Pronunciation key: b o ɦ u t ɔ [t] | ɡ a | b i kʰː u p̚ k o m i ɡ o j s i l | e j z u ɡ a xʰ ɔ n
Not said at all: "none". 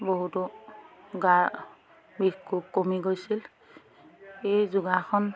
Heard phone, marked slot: none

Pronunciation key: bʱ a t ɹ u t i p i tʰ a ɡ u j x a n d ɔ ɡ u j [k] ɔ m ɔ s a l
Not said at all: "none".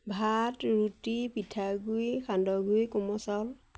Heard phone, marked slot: k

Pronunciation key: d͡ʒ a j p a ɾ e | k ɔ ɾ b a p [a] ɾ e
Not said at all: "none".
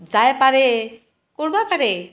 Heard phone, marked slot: a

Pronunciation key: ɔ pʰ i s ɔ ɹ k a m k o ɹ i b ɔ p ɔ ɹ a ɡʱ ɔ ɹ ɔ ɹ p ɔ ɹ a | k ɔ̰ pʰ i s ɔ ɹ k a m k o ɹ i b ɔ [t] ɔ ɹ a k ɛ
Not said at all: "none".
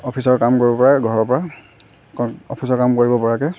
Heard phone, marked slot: p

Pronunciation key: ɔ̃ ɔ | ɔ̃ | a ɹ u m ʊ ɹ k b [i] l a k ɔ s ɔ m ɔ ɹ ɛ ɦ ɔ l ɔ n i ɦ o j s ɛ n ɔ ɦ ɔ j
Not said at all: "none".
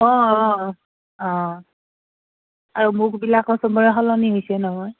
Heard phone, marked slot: i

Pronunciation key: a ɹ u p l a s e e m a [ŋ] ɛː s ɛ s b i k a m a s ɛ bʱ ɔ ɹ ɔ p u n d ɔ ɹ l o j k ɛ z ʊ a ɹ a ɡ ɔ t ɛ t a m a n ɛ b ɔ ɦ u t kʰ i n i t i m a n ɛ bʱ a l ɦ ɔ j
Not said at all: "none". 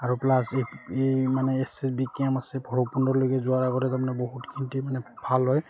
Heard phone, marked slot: n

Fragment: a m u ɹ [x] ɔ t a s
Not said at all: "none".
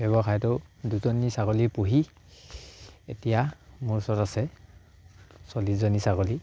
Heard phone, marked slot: s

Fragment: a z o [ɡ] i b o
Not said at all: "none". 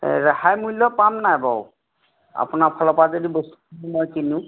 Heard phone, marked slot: d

